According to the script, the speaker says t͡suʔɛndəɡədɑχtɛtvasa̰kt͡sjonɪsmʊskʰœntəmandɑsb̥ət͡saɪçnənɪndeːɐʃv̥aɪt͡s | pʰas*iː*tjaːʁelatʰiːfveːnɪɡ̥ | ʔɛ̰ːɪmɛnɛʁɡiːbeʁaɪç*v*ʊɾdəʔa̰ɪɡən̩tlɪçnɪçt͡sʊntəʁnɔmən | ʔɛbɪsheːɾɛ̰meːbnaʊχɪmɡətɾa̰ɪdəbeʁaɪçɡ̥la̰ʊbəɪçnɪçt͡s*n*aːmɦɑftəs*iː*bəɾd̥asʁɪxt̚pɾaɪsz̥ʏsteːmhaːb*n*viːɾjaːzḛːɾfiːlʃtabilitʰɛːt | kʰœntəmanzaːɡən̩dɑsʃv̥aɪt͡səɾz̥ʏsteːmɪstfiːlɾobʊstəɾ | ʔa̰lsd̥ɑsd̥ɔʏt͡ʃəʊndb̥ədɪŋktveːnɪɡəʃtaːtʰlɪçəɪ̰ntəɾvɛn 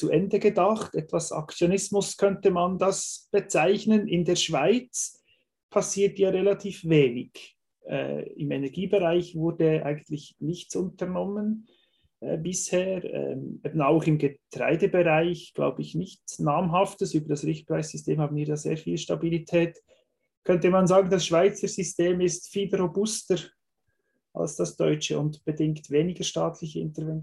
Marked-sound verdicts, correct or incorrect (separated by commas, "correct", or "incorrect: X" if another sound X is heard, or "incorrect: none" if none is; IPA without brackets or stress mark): correct, correct, correct, incorrect: yː, correct